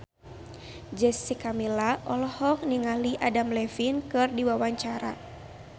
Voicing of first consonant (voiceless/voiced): voiced